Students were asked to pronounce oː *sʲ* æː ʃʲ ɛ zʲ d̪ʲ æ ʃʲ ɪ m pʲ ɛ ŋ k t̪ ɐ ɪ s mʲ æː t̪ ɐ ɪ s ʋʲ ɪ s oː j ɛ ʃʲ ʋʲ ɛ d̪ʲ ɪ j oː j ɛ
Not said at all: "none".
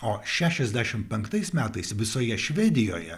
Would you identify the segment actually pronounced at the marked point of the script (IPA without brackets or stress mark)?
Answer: ʃʲ